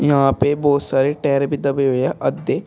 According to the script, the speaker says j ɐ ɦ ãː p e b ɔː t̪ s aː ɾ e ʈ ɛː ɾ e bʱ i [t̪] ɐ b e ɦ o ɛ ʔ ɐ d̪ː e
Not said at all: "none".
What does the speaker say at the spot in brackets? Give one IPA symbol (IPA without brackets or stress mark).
d̪